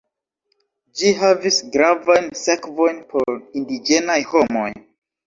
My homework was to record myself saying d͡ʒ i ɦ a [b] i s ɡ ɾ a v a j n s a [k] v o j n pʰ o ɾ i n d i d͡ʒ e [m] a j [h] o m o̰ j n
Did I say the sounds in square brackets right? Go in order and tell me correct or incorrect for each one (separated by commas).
incorrect, correct, incorrect, correct